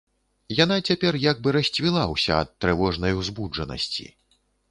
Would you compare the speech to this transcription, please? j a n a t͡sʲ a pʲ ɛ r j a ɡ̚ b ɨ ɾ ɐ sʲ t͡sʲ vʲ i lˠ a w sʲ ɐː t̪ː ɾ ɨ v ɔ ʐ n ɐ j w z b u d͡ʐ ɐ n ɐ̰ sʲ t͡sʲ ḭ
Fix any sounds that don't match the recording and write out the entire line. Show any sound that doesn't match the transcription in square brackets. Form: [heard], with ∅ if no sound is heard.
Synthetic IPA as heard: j a n a t͡sʲ a pʲ ɛ r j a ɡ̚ b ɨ ɾ ɐ sʲ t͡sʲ vʲ i lˠ a w sʲ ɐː t̪ː ɾ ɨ v ɔ ʐ n ɐ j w z b u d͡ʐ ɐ n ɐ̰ sʲ t͡sʲ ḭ